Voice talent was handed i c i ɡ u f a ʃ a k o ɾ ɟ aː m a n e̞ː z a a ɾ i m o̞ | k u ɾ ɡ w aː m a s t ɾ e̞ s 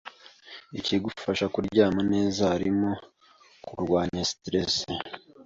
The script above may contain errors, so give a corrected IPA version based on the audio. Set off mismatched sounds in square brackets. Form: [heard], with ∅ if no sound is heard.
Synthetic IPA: i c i ɡ u f a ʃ a k [u] ɾ ɟ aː m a n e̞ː z a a ɾ i m o̞ | k u ɾ ɡ w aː [ɲ] a s t ɾ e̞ s